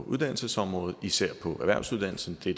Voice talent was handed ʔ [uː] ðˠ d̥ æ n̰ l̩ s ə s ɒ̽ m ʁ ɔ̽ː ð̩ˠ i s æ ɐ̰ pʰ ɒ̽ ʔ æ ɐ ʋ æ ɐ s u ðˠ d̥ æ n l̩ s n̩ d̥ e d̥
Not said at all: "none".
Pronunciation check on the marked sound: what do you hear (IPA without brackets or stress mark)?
u